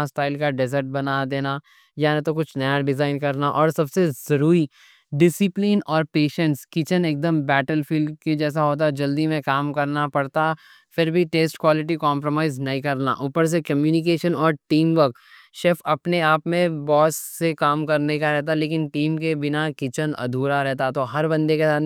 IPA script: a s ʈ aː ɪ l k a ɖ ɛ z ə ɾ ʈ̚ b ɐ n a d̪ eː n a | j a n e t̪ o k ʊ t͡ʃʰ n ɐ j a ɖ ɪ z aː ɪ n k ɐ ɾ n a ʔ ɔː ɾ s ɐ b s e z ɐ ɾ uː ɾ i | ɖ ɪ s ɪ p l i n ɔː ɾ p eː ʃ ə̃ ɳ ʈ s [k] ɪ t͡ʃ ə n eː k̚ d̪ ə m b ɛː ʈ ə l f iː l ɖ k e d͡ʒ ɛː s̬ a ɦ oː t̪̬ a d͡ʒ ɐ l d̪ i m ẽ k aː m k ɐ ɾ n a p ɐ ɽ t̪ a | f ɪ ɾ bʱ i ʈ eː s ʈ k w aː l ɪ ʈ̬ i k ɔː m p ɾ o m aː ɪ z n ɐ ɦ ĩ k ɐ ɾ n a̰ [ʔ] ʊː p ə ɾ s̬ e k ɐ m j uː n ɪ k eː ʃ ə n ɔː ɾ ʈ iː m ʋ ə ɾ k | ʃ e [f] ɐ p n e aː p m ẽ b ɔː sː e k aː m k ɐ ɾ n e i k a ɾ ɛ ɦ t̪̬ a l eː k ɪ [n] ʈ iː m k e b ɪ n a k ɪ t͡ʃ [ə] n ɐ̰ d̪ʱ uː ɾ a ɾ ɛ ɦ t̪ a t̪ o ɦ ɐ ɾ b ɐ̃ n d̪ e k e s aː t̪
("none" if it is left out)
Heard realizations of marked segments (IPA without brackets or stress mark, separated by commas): k, ʔ, f, n, ə